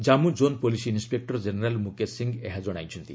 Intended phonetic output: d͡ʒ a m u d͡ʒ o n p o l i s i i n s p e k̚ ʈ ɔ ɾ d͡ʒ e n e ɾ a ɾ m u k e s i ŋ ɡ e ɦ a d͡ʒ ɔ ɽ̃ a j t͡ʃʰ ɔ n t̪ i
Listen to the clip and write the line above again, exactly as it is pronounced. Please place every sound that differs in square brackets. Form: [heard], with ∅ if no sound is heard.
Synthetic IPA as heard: d͡ʒ a m u d͡ʒ o n p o l i s i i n s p e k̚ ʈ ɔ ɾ d͡ʒ e n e ɾ a [l] m u k e s i ŋ ɡ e ɦ a d͡ʒ ɔ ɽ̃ a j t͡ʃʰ ɔ n t̪ i